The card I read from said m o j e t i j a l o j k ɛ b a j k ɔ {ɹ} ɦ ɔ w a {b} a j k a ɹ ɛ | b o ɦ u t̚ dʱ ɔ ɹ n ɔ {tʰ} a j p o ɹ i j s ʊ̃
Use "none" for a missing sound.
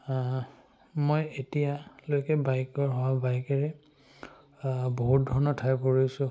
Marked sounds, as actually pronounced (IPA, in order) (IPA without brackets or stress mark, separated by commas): ɹ, b, tʰ